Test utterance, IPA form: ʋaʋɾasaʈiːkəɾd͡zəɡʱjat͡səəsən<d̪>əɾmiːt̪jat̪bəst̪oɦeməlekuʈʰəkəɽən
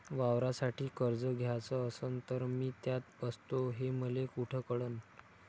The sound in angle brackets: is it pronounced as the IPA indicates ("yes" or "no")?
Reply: no